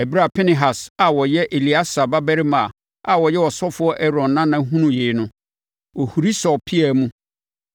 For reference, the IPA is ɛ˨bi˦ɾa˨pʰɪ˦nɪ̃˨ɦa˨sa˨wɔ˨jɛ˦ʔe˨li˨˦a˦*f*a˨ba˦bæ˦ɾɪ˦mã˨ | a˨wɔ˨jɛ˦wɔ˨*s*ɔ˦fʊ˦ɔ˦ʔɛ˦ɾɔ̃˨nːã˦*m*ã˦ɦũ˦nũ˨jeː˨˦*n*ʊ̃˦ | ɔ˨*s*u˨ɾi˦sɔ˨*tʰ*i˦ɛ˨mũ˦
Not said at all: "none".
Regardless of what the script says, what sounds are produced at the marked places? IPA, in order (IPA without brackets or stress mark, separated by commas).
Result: s, s, n, n, h, pʰ